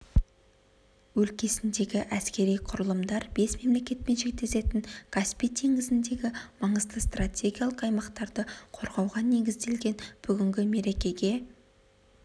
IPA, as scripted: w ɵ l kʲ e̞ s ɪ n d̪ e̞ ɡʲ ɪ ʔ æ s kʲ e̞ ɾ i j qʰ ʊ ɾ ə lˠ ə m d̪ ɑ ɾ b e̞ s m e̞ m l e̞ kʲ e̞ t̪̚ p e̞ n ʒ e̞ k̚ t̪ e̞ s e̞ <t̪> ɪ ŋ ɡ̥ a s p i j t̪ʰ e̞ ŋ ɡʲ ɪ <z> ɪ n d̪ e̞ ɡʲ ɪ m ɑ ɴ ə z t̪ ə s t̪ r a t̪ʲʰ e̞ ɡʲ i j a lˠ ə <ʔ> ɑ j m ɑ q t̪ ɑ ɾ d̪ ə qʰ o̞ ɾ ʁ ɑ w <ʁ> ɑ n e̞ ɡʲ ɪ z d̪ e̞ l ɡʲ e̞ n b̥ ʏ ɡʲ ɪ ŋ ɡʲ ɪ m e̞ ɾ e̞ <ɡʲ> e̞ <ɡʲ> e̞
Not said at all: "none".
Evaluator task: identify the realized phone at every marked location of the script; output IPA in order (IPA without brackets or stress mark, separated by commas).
t̪, z, q, ʁ, kʲ, ɡʲ